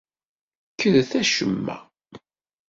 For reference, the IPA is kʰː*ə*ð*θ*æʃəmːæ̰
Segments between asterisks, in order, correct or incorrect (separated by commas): correct, correct